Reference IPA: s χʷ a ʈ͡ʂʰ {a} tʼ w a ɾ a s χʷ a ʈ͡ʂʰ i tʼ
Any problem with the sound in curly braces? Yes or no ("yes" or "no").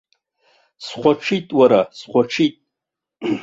yes